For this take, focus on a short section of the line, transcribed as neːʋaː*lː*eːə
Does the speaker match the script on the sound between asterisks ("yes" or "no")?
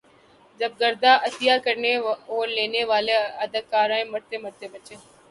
no